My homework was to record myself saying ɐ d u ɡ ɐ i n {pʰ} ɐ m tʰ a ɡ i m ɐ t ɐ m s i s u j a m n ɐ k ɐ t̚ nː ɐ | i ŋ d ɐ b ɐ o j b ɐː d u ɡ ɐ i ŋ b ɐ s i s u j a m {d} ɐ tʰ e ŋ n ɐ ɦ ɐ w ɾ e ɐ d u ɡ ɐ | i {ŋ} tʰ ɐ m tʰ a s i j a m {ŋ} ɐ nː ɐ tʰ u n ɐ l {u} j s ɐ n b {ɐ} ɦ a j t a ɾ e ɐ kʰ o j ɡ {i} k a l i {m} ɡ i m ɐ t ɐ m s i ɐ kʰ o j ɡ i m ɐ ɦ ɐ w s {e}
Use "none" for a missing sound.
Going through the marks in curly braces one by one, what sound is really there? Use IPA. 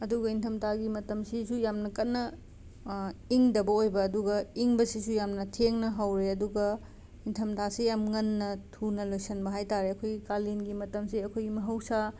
tʰ, n, n, ŋ, o, ɐ, i, n, a

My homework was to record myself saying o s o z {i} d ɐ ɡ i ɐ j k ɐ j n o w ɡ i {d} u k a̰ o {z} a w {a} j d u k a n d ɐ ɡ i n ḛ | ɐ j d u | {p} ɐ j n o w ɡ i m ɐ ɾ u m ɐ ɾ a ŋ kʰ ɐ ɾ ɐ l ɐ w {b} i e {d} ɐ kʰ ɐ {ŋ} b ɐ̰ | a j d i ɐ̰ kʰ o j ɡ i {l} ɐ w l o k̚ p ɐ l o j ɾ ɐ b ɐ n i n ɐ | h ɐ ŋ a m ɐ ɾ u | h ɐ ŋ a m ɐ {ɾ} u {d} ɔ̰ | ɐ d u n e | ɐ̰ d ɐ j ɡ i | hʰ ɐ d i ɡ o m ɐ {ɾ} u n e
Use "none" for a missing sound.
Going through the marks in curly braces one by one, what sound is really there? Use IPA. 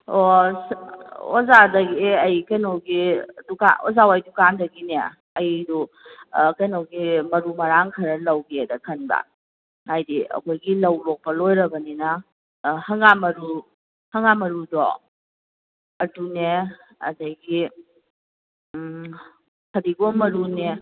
a, d, z, a, k, ɡ, d, n, l, ɾ, d, ɾ

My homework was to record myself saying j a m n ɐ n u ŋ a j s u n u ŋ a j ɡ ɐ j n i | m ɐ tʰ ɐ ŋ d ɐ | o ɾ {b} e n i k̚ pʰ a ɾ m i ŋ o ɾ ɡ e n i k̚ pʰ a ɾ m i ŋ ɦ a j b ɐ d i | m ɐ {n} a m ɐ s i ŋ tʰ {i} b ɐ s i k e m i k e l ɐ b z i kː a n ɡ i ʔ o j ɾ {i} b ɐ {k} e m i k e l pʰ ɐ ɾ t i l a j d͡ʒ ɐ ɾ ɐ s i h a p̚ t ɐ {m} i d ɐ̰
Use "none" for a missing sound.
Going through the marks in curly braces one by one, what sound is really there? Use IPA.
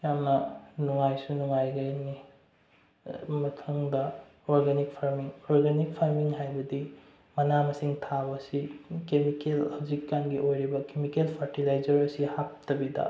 ɡ, n, a, i, k, b

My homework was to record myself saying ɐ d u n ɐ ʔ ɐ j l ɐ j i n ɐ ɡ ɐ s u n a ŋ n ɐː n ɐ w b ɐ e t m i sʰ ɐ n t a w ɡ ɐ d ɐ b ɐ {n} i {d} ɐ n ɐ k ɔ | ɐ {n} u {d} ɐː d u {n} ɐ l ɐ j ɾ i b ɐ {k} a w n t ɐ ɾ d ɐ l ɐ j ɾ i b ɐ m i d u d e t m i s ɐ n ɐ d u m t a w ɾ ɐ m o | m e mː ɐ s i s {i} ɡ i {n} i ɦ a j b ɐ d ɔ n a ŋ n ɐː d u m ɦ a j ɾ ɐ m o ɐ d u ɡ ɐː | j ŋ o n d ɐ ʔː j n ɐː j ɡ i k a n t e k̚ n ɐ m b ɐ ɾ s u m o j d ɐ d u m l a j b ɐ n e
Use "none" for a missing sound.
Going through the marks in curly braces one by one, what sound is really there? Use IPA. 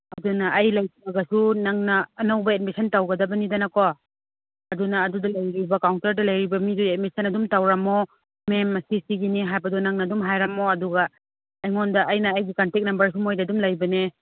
n, d, d, n, d, k, i, n

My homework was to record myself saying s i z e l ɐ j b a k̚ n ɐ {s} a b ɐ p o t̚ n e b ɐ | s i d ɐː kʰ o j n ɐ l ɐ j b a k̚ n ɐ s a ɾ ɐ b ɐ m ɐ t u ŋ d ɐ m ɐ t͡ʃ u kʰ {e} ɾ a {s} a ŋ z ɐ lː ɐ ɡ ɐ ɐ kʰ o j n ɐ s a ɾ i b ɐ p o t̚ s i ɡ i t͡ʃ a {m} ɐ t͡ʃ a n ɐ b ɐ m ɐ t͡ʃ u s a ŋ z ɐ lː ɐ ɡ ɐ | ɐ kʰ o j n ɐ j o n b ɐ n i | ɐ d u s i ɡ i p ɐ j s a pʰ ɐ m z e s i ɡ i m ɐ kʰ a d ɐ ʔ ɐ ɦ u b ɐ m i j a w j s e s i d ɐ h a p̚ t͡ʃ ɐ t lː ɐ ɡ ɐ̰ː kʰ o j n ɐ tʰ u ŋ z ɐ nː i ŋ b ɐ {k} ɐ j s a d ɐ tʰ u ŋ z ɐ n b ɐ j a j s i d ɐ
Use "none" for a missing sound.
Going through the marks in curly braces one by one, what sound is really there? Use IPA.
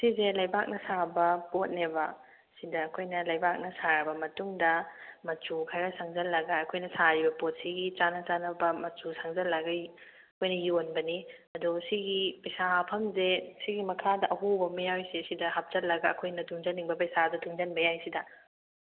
s, a, s, n, p

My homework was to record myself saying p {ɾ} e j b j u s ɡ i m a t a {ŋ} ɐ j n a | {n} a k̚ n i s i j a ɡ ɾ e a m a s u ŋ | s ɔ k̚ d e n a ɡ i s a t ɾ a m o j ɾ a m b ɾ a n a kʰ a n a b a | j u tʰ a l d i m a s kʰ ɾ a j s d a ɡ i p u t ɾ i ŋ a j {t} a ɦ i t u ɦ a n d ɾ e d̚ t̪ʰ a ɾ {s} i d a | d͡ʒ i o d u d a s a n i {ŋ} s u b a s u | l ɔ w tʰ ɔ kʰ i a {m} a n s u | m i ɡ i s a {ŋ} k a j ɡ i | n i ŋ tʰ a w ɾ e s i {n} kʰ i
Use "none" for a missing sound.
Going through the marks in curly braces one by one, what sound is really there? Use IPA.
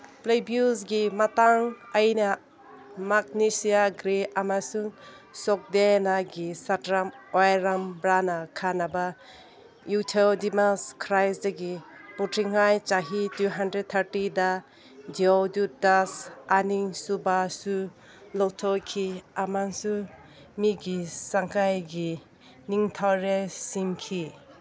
l, ŋ, m, t͡ʃ, t, ŋ, m, ŋ, ŋ

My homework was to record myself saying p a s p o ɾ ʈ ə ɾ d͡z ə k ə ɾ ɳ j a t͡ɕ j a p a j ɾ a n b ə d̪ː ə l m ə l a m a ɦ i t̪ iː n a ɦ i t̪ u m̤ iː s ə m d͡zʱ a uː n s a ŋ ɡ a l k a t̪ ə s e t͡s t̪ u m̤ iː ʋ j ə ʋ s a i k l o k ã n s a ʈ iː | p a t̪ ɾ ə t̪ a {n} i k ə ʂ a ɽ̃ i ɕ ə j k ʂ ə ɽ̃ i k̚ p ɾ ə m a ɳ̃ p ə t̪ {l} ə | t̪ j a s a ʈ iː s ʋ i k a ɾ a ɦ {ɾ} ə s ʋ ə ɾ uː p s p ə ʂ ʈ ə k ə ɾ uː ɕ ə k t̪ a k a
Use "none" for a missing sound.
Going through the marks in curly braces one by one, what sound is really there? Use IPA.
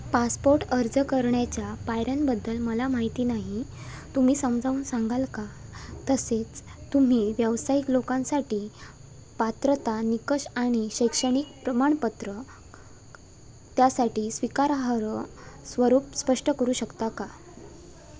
n, ɾ, ɾ

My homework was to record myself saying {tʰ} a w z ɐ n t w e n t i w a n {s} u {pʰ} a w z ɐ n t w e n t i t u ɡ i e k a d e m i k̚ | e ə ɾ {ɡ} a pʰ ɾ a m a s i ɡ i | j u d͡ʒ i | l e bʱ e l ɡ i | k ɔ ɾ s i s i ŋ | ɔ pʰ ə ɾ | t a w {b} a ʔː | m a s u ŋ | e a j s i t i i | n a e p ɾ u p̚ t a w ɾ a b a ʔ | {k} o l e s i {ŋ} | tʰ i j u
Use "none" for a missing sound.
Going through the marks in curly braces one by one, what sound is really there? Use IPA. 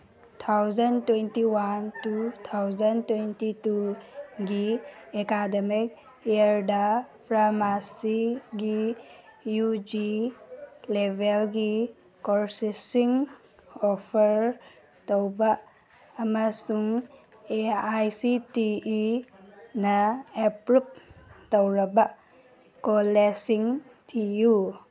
tʰ, t, tʰ, d, b, k, ŋ

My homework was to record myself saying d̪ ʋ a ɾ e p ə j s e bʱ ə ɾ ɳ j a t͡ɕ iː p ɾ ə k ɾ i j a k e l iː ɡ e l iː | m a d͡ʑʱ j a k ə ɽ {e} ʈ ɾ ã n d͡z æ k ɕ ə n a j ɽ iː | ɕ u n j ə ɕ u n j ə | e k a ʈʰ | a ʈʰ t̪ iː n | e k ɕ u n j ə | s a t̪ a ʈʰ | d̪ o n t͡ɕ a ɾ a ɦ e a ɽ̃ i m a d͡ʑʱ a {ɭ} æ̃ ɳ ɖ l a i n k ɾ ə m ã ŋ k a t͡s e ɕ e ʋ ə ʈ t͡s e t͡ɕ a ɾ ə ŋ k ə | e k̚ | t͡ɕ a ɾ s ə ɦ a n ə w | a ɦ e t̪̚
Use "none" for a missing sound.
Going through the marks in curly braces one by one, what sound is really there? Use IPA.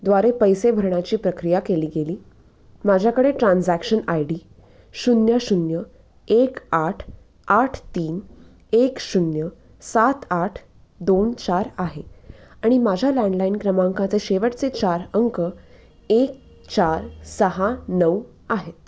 e, l

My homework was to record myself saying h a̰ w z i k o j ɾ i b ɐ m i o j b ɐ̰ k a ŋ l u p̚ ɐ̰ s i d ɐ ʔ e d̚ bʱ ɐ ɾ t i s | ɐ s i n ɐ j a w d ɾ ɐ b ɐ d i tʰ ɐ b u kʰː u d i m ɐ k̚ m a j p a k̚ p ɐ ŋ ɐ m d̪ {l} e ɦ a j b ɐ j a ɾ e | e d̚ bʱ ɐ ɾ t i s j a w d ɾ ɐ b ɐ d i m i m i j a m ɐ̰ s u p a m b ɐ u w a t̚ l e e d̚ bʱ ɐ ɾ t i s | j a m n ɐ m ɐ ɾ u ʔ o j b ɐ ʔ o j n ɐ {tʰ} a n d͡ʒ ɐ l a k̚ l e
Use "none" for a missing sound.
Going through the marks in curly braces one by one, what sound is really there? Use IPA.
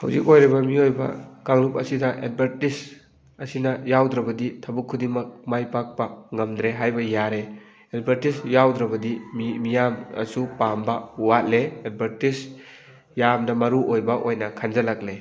ɾ, kʰ

